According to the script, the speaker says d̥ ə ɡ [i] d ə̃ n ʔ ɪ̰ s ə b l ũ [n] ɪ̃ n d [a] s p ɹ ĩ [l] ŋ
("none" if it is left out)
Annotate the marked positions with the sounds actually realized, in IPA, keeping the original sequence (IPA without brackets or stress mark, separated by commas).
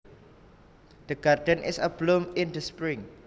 a, m, ə, none